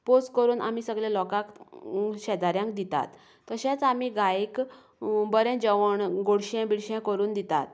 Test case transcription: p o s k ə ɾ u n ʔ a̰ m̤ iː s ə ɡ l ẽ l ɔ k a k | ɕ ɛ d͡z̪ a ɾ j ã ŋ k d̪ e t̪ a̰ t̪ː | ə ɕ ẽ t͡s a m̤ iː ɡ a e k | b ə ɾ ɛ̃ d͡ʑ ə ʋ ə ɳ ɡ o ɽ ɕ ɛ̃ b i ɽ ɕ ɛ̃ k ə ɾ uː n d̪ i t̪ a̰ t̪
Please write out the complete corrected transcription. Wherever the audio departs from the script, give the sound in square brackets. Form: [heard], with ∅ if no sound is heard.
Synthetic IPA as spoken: p o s k ə ɾ [uː] n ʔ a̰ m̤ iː s ə ɡ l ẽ l ɔ k a k | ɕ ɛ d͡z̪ a ɾ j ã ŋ k d̪ [i] t̪ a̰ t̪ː | ə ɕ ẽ t͡s a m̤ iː ɡ a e k | b ə ɾ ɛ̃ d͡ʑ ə ʋ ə ɳ ɡ o ɽ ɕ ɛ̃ b i ɽ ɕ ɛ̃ k ə ɾ uː n d̪ i t̪ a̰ t̪